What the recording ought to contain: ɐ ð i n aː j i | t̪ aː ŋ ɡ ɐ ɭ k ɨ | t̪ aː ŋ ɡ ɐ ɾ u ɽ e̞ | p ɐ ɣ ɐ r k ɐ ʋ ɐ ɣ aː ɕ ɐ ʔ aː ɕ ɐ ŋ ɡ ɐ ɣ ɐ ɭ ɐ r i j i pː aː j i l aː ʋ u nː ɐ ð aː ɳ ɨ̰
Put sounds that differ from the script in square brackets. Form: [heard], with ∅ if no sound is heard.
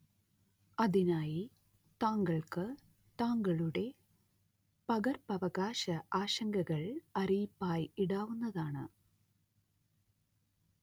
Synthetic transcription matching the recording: ɐ ð i n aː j i | t̪ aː ŋ ɡ ɐ ɭ k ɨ | t̪ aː ŋ ɡ ɐ [ɭ] u ɽ e̞ | p ɐ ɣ ɐ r [p] ɐ ʋ ɐ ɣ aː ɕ ɐ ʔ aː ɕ ɐ ŋ ɡ ɐ ɣ ɐ ɭ ɐ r i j i pː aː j i [ɽ] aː ʋ u nː ɐ ð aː ɳ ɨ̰